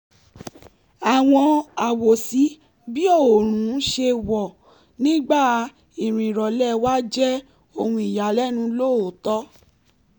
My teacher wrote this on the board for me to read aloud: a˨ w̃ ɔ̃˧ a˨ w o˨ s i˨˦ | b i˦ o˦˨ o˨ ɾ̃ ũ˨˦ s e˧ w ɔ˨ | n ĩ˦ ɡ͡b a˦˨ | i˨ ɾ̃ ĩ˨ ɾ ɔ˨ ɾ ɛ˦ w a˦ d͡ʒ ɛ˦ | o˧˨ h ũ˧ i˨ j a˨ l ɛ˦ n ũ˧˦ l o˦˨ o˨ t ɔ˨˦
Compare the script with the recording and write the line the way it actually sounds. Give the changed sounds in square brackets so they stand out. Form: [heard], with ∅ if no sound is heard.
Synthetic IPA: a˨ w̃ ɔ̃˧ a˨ w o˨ s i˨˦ | b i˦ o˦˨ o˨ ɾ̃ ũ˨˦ [ʃ] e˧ w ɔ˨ | n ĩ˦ ɡ͡b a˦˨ | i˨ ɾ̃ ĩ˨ ɾ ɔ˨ [l] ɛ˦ w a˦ d͡ʒ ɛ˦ | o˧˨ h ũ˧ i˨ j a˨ l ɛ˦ n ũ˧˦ l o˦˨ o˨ t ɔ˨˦